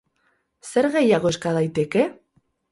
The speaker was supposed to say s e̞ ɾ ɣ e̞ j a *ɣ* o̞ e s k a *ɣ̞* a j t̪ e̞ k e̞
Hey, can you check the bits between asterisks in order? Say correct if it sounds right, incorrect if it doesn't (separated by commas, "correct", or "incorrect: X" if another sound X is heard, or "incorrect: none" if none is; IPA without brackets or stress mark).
correct, incorrect: ð̞